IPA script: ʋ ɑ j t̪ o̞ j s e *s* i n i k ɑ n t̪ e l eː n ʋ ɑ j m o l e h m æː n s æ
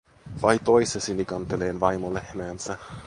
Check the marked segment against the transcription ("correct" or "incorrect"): correct